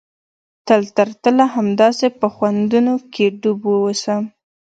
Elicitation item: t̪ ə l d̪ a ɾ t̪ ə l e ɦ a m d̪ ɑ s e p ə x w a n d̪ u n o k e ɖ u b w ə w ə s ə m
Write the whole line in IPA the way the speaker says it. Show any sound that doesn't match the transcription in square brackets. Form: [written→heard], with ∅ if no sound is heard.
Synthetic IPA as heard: t̪ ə l [d̪→t̪] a ɾ t̪ ə l [e→a] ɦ a m d̪ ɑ s e p ə x w a n d̪ u n o k e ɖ u b w ə w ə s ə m